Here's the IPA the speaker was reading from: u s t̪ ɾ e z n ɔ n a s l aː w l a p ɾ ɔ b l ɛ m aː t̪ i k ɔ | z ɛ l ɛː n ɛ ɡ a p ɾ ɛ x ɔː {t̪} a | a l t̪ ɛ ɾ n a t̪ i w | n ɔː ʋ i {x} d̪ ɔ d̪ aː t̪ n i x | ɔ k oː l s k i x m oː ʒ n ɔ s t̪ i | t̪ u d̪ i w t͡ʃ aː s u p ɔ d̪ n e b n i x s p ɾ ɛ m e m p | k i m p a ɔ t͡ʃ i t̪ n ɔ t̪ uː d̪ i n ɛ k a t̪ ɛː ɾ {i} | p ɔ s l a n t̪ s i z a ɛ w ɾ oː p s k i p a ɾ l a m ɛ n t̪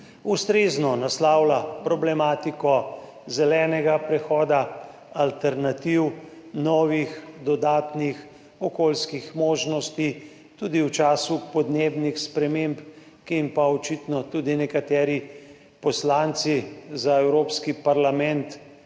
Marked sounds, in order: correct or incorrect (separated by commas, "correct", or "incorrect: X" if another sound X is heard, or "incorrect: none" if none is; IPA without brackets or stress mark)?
incorrect: d̪, correct, correct